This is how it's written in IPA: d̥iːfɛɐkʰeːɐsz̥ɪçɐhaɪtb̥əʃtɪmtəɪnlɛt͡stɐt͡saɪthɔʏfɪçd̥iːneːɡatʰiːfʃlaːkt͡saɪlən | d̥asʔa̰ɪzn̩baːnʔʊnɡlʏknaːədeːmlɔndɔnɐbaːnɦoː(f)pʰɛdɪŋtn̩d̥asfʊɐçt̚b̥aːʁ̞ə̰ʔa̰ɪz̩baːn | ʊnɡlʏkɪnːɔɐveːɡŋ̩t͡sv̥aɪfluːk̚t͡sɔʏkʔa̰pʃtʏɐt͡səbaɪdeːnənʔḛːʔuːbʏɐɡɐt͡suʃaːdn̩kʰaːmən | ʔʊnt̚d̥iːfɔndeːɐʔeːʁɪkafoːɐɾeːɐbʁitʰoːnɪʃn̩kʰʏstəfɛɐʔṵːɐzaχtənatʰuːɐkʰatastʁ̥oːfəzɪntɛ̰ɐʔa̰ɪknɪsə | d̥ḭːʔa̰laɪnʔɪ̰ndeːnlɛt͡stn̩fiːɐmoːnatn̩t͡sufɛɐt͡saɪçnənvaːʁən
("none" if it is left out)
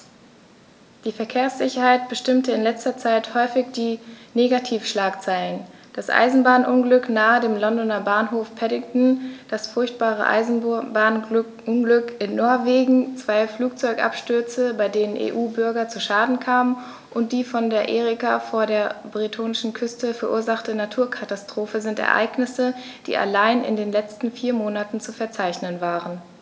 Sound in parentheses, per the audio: f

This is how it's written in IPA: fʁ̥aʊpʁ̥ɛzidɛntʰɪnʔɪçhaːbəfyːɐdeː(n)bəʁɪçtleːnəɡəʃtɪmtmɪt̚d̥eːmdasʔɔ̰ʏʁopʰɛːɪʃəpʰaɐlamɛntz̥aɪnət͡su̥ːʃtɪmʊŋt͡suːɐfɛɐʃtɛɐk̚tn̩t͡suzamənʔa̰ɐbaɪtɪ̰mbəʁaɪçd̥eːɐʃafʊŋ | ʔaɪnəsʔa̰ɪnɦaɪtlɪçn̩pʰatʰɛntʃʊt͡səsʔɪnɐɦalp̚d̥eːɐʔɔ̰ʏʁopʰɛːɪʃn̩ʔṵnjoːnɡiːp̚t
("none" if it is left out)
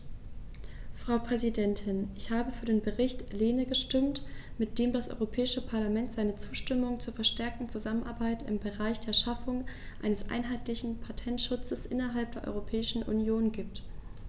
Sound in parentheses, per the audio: n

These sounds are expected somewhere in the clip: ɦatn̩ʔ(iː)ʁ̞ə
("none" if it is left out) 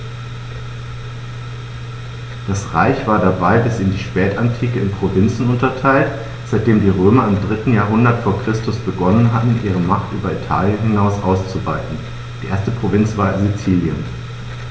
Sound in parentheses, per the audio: iː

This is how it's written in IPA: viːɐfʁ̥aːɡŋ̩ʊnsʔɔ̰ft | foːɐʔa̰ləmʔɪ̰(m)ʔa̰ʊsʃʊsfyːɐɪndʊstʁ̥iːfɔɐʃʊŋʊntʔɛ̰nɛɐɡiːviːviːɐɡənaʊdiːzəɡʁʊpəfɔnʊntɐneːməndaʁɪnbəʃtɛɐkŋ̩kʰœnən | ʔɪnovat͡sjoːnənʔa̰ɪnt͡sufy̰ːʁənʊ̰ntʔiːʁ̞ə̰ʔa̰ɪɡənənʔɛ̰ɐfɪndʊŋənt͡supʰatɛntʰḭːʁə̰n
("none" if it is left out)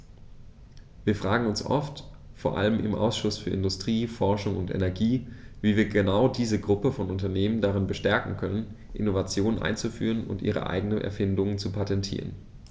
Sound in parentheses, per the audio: m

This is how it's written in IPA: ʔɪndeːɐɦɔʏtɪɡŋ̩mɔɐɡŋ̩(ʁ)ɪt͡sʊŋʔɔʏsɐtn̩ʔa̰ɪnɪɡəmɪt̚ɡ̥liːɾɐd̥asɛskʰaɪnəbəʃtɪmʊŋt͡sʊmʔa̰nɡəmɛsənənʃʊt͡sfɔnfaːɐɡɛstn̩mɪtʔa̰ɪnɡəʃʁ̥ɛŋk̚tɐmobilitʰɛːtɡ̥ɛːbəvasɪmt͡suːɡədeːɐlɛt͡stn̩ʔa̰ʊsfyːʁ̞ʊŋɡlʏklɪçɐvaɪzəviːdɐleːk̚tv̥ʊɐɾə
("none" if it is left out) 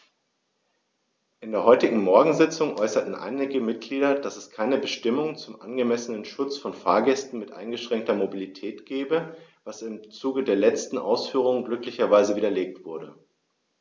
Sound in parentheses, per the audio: z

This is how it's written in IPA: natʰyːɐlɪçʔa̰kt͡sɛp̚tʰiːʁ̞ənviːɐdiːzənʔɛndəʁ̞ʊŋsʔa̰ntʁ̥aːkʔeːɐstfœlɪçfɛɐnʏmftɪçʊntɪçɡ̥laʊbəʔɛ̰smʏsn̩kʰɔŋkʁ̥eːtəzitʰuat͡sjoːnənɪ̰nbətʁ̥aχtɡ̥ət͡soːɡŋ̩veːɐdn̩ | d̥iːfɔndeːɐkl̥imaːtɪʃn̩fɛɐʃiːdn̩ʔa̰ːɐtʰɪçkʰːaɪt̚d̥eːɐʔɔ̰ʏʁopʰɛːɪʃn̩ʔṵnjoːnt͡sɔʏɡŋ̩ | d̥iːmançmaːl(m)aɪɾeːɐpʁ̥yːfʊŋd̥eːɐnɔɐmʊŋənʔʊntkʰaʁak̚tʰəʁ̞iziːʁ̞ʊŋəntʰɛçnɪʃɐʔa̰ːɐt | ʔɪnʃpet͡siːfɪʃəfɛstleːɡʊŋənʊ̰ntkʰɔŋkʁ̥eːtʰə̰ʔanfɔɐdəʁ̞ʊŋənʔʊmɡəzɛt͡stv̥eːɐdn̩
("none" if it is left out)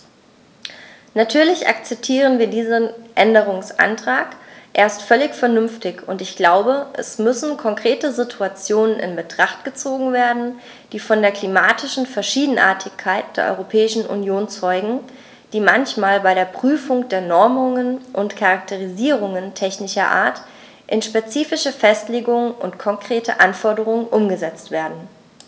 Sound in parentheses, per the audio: b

